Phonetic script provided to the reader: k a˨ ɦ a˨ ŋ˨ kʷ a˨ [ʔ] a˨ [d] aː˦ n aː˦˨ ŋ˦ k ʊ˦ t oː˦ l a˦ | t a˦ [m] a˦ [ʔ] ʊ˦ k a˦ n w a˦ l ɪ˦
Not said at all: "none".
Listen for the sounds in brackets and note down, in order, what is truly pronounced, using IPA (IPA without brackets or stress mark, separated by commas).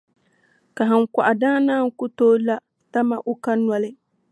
ʔ, d, m, ʔ